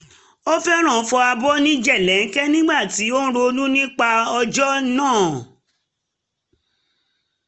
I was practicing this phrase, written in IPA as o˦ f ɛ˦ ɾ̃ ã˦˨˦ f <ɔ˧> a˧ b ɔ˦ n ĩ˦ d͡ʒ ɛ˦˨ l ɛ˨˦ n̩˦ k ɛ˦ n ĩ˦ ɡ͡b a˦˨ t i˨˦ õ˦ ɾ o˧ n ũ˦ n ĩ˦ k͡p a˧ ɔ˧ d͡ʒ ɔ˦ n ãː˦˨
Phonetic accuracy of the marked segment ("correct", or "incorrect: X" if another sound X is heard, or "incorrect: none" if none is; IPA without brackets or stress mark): correct